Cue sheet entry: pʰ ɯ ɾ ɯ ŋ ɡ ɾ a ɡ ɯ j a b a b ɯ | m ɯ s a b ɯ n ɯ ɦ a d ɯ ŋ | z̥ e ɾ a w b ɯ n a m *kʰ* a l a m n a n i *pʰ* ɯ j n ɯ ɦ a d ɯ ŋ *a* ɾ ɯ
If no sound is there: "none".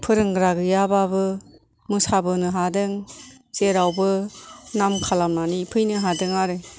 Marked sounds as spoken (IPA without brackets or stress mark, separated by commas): kʰ, pʰ, a